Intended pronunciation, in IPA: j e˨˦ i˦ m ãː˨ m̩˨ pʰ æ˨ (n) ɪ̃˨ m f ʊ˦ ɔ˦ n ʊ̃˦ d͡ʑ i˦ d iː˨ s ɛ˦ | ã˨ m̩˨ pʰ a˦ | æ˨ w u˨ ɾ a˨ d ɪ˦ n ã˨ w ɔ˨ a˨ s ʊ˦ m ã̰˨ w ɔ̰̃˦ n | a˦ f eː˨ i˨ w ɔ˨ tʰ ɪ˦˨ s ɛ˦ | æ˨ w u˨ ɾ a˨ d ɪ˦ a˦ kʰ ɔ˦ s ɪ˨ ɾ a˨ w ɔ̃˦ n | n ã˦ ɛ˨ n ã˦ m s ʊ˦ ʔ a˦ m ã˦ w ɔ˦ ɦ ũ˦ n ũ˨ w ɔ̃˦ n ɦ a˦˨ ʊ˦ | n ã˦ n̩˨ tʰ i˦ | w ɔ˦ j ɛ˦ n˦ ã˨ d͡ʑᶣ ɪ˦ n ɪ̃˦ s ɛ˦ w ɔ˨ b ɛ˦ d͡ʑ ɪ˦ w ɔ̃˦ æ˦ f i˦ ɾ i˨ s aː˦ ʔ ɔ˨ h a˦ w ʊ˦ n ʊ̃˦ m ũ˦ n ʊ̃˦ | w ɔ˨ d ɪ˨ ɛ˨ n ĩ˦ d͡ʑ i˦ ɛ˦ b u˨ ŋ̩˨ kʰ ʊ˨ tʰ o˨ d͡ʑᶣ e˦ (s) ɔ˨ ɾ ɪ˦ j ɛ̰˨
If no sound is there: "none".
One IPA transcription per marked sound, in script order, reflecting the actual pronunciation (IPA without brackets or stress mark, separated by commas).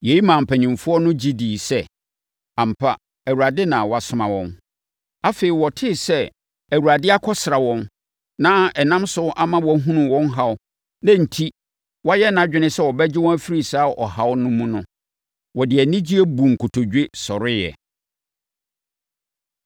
ɲ, s